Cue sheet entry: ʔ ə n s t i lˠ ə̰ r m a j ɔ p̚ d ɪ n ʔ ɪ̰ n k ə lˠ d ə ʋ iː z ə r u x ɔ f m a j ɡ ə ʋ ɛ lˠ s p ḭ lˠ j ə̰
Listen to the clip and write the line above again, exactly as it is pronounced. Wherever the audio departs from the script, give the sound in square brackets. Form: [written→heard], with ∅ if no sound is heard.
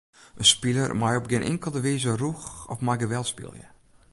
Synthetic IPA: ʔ ə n s [t→p] i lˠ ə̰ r m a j ɔ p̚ [d→ɡ] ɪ n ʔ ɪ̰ [n→ŋ] k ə lˠ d ə ʋ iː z ə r u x ɔ f m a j ɡ ə ʋ ɛ lˠ s p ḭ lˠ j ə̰